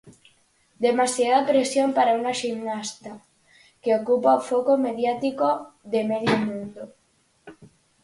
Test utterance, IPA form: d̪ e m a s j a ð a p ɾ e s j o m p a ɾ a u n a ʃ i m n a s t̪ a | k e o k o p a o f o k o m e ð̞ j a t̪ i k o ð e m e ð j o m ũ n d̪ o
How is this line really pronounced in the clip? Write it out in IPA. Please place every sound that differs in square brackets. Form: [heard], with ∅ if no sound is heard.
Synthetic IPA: d̪ e m a s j a ð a p ɾ e s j o m p a ɾ a u n a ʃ i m n a s t̪ a | k e o k [u] p a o f o k o m e ð̞ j a t̪ i k o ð e m e ð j o m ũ n d̪ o

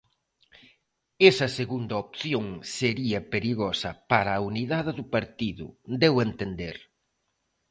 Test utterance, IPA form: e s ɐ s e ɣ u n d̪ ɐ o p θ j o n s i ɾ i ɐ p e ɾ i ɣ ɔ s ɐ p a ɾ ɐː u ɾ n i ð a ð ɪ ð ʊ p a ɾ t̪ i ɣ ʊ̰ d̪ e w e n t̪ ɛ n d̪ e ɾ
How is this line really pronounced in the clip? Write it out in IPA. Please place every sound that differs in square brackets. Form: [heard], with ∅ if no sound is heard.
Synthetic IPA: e s ɐ s e ɣ u n d̪ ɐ o p θ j o [ŋ] s [e] ɾ i ɐ p e ɾ i ɣ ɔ s ɐ p a ɾ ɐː u [∅] n i ð a ð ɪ ð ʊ p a ɾ t̪ i [ð] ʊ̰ d̪ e w e n t̪ [e] n d̪ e ɾ

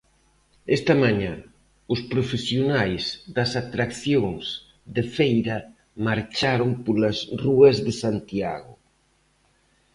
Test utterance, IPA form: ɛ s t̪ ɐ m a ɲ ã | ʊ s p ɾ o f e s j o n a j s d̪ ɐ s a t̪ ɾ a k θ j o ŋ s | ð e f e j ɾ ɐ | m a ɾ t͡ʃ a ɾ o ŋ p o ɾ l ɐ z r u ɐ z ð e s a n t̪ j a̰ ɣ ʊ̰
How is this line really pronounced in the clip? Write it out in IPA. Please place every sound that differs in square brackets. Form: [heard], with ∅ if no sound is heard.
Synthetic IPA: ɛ s t̪ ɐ m a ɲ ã | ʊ s p ɾ o f e s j o n a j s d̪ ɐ s a t̪ ɾ a k θ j o ŋ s | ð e f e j ɾ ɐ | m a ɾ t͡ʃ a ɾ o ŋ p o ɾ l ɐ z r u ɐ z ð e s a n t̪ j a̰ ɣ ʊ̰

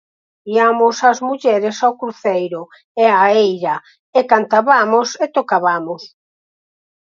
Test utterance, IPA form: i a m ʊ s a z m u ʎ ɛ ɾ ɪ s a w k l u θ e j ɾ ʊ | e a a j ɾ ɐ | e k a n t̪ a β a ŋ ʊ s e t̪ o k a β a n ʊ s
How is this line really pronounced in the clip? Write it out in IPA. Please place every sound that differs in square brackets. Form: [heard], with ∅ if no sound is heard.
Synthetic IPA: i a m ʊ s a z m u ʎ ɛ ɾ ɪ s a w k [ɾ] u θ e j ɾ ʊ | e a [e] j ɾ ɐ | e k a n t̪ a β a [m] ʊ s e t̪ o k a β a [m] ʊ s

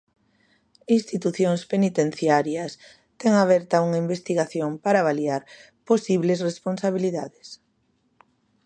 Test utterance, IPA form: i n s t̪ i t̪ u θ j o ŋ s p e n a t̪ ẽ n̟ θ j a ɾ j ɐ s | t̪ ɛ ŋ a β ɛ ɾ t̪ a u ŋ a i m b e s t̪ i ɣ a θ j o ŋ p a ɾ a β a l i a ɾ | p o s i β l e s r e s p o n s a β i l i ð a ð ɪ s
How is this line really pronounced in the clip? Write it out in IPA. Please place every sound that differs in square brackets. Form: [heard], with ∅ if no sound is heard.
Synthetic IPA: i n s t̪ i t̪ u θ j o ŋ s p e n [i] t̪ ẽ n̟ θ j a ɾ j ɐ s | t̪ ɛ ŋ a β ɛ ɾ t̪ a u ŋ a i m b e s t̪ i ɣ a θ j o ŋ p a ɾ a β a l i a ɾ | p o s i β l e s r e s p o n s a β i l i ð a ð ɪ s

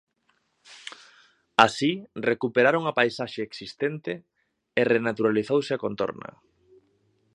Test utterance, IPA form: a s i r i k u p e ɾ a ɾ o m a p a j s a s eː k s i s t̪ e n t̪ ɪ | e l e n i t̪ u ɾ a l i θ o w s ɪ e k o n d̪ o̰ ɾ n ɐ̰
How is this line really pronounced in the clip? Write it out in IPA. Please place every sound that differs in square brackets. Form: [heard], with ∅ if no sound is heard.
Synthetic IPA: a s i r [e] k u p e ɾ a ɾ o [ŋ] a p a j s a [ʃ] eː k s i s t̪ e n t̪ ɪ | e [r] e n [a] t̪ u ɾ a l i θ o w s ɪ [a] k o n [t̪] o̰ ɾ n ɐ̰

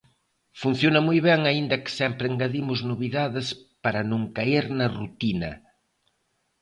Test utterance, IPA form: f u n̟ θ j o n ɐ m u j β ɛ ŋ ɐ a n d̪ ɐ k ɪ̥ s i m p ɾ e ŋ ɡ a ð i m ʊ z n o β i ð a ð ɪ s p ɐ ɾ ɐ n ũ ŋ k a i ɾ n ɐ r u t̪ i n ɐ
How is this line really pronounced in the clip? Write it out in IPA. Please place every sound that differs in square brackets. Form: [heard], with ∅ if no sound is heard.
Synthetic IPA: f u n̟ θ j o n ɐ m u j β ɛ ŋ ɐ [i] n d̪ ɐ k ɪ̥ s [ɛ] m p ɾ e ŋ ɡ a ð i m ʊ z n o β i ð a ð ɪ s p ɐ ɾ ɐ n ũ ŋ k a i ɾ n ɐ r u t̪ i n ɐ

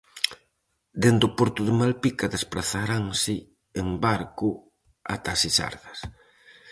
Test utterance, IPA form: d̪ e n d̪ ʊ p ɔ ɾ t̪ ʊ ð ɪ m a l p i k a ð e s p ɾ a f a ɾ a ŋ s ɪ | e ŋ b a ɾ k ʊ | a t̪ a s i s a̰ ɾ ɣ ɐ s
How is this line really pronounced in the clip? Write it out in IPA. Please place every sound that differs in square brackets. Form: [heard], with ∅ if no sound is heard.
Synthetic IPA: d̪ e n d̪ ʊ p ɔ ɾ t̪ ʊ ð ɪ m a l p i k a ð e s p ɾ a [θ] a ɾ a ŋ s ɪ | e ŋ b a ɾ k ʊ | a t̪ a s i s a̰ ɾ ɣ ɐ s

